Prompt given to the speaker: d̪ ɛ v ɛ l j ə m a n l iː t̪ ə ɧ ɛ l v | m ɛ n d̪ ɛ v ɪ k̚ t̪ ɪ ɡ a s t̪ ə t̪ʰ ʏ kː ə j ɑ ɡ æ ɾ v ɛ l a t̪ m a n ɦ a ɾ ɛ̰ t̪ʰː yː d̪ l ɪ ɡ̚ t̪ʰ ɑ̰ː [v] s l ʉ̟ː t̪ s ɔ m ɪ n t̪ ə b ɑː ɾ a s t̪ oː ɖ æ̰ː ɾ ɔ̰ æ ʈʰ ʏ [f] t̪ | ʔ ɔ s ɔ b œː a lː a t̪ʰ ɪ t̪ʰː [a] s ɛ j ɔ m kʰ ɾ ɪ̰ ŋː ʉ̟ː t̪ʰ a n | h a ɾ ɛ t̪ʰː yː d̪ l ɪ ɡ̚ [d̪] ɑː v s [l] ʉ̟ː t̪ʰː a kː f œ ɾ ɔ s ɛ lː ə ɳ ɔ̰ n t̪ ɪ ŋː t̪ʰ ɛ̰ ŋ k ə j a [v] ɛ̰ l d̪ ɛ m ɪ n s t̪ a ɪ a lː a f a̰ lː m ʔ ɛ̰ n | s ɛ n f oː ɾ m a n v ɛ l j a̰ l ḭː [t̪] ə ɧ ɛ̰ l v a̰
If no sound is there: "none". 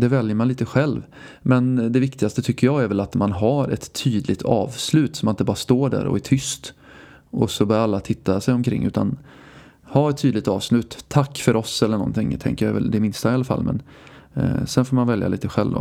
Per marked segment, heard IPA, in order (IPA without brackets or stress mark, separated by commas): v, s, a, t̪, l, v, t̪